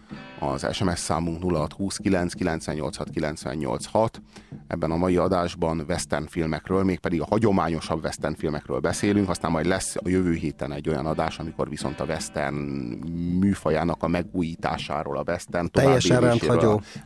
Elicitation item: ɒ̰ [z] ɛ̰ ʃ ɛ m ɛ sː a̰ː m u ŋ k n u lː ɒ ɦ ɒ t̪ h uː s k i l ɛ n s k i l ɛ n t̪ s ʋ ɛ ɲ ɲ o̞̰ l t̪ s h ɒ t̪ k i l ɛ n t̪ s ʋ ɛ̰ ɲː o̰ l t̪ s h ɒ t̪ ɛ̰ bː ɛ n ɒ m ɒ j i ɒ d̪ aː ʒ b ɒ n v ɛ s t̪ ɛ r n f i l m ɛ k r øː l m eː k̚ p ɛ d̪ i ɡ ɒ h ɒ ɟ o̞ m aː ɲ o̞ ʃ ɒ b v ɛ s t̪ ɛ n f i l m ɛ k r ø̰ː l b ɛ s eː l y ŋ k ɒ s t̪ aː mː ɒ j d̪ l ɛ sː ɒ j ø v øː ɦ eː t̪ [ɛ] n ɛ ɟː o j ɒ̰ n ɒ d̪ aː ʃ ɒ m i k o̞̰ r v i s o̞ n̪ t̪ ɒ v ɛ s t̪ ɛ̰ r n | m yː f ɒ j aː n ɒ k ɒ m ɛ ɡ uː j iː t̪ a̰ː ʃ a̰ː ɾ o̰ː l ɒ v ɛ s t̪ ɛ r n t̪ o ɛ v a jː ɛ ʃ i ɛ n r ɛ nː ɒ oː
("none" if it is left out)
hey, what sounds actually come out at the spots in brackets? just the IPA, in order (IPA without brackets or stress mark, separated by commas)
z, ɛ